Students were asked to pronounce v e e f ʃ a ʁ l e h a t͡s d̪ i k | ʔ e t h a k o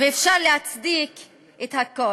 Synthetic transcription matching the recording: v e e f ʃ a ʁ l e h a t͡s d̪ i k | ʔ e t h a k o